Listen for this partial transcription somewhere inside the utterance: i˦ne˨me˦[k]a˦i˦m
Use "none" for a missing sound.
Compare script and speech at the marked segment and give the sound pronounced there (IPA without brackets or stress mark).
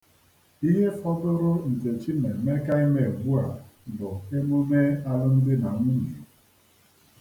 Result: k